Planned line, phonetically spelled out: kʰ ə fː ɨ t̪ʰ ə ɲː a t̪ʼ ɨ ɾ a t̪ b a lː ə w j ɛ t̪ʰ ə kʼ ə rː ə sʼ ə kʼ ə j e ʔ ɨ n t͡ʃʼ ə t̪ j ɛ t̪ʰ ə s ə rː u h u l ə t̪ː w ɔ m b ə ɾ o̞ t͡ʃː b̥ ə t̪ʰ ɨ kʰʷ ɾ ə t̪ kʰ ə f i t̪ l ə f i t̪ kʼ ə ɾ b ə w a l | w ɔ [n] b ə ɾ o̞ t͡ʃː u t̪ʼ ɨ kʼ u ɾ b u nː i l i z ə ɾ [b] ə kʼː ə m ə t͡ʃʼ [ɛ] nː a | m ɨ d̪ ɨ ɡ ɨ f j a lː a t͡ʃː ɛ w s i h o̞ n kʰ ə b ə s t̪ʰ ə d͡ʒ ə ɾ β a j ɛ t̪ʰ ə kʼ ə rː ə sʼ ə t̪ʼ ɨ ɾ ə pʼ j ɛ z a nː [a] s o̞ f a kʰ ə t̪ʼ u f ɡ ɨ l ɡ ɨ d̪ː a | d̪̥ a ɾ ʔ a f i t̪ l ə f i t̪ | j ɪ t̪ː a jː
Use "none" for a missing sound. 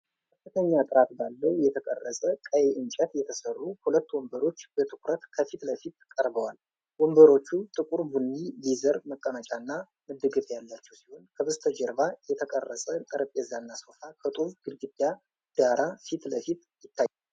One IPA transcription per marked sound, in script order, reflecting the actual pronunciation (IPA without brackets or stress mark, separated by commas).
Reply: m, m, a, a